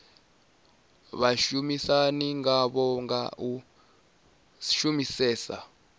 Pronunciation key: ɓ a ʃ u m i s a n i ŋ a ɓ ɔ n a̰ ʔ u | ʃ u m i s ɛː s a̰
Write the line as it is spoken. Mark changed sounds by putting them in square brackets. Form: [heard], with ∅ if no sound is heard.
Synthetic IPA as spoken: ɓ a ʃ u m i s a n i ŋ a ɓ ɔ [ŋ] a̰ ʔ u | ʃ u m i s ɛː s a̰